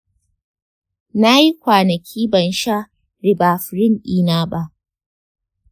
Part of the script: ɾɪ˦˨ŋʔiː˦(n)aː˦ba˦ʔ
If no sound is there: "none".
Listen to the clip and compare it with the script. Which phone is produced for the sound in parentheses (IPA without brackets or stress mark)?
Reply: n